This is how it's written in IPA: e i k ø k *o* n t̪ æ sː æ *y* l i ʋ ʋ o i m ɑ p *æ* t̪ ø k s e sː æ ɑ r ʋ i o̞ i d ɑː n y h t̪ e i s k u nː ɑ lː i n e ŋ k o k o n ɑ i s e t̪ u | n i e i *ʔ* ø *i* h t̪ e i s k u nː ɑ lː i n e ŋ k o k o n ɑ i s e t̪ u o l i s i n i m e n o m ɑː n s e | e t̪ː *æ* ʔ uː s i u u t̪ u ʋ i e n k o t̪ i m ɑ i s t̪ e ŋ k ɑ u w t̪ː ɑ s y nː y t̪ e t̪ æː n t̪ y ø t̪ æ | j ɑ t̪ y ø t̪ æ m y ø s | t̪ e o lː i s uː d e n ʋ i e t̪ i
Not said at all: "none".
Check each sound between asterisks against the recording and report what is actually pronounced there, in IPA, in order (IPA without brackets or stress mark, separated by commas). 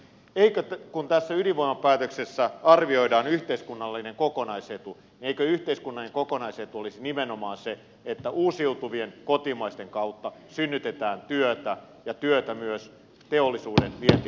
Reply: u, y, æː, k, y, æ